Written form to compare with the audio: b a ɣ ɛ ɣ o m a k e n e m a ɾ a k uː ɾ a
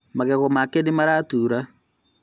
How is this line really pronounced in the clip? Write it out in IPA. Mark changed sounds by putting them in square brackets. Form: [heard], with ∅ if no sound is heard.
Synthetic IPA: [m] a ɣ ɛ ɣ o m a k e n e m a ɾ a [t] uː ɾ a

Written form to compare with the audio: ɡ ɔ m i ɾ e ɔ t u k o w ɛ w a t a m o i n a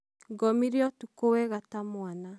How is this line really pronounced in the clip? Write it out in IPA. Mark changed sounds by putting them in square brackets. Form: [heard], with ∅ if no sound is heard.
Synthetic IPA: ɡ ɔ m i ɾ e ɔ t u k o w ɛ [ɣ] a t a m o [a] n a

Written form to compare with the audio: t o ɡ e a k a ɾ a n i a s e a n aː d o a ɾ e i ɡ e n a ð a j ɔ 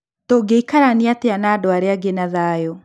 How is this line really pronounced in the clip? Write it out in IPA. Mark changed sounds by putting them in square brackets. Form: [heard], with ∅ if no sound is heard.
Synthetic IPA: t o ɡ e [i] k a ɾ a n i a [t] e a n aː d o a ɾ e [a] ɡ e n a ð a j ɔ

